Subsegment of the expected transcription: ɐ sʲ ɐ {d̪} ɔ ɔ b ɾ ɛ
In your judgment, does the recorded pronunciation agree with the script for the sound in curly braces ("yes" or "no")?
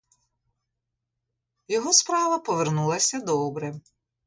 yes